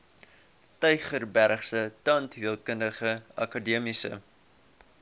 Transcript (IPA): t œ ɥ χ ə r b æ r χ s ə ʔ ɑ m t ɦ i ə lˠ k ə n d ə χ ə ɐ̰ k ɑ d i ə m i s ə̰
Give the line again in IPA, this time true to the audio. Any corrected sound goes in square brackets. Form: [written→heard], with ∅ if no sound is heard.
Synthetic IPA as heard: t œ ɥ χ ə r b æ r χ s ə [ʔ→t] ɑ [m→n] t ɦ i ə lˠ k ə n d ə χ ə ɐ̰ k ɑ d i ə m i s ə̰